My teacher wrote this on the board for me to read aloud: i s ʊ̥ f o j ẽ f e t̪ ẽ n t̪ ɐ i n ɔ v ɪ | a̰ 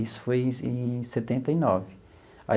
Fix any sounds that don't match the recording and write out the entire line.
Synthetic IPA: i s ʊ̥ f o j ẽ s e t̪ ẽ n t̪ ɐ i n ɔ v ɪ | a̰